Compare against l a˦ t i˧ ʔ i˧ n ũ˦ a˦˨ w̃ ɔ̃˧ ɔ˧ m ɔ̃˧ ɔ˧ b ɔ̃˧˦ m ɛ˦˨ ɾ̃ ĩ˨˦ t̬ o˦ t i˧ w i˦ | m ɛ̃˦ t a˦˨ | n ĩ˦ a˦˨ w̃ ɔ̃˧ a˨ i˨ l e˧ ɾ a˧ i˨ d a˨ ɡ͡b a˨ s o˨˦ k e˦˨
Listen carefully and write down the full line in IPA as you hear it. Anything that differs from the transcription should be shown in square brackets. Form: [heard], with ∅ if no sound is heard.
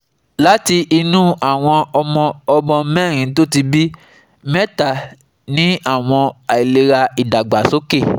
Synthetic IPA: l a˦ t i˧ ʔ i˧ n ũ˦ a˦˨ w̃ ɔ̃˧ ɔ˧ m ɔ̃˧ ɔ˧ b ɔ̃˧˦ m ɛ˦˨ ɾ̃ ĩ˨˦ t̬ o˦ t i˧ [b] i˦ | m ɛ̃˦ t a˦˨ | n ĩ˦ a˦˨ w̃ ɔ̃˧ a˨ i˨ l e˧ ɾ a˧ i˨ d a˨ ɡ͡b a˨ s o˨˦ k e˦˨